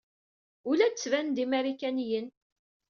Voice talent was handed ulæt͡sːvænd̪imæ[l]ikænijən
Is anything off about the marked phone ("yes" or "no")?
yes